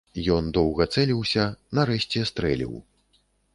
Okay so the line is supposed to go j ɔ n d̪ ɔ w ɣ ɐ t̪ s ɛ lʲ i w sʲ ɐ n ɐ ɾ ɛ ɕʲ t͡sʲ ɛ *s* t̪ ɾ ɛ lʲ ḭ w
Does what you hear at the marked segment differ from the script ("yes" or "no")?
no